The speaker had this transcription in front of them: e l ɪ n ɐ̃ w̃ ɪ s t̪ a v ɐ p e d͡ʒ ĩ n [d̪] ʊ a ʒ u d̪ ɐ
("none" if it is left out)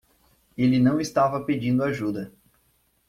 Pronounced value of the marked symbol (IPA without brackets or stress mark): d̪